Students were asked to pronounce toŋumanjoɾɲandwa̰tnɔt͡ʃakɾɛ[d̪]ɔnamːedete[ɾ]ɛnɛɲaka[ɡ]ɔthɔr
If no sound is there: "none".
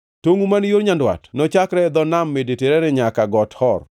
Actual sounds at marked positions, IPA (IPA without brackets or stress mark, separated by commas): d̪, ɾ, ɡ